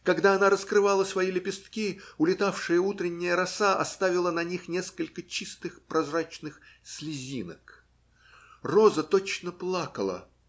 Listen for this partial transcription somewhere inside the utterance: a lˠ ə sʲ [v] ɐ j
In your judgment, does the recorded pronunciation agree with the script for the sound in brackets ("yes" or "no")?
yes